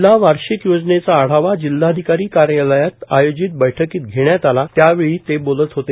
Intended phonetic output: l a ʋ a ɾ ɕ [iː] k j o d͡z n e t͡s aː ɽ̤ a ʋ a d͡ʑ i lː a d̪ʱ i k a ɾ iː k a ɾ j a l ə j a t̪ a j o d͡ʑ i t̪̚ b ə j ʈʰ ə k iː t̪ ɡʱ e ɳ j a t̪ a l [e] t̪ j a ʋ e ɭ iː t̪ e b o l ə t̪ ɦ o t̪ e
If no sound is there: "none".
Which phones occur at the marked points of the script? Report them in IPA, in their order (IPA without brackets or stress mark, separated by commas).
i, a